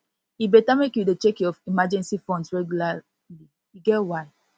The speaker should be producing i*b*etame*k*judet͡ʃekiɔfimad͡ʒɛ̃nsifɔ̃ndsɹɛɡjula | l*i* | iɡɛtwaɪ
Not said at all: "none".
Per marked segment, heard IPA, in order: b, k, i

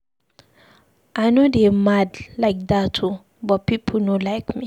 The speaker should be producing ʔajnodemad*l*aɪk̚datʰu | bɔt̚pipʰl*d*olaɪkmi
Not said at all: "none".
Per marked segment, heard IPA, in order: l, n

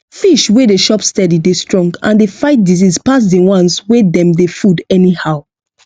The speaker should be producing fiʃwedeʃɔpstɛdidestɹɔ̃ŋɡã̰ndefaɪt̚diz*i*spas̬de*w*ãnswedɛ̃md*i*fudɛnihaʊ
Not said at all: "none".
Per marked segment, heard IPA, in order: i, w, e

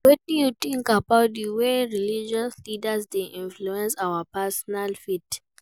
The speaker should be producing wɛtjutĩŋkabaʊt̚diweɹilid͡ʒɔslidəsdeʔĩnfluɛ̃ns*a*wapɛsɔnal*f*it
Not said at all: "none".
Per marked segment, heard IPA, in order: a, f

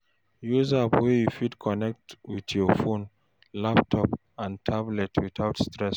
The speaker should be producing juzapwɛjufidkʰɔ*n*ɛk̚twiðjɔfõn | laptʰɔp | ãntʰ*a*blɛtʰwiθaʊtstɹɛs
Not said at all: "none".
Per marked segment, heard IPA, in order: n, a

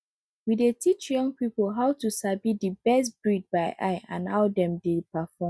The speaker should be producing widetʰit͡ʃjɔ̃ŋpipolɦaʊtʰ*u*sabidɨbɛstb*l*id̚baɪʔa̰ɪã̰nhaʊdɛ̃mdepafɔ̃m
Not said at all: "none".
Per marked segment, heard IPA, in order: u, ɹ

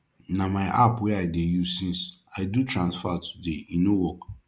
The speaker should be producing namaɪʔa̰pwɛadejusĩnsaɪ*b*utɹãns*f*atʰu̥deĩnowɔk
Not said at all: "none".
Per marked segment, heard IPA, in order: d, f

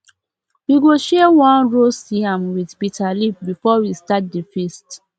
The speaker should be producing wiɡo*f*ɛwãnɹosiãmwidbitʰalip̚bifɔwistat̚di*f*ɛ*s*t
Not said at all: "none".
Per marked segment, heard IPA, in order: ʃ, f, s

